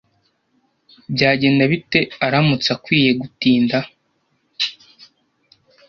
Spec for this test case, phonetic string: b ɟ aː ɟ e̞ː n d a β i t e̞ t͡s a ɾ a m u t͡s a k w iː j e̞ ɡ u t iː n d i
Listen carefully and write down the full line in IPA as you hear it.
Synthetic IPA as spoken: b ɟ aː ɟ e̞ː n d a β i t e̞ a ɾ a m u t͡s a k w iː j e̞ ɡ u t iː n d a